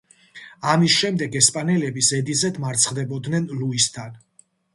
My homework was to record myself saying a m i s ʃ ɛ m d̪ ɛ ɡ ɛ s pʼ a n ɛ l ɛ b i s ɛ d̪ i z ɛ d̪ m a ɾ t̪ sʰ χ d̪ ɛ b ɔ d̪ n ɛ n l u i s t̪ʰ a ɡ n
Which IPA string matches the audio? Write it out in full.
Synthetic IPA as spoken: a m i s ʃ ɛ m d̪ ɛ ɡ ɛ s pʼ a n ɛ l ɛ b i s ɛ d̪ i z ɛ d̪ m a ɾ t̪ sʰ χ d̪ ɛ b ɔ d̪ n ɛ n l u i s t̪ʰ a n